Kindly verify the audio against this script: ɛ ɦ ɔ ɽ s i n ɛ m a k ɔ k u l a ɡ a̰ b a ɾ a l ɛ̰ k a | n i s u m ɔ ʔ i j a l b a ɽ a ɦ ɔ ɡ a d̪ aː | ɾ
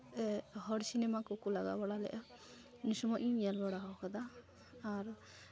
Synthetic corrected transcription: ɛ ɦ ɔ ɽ s i n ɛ m a k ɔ k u l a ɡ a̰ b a ɽ a l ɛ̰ ʔ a | n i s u m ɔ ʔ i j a l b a ɽ a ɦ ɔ k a d̪ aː | ɾ